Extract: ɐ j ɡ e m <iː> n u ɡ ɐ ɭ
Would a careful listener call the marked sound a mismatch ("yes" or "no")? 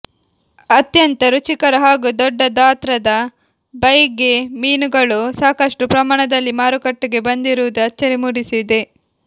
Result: no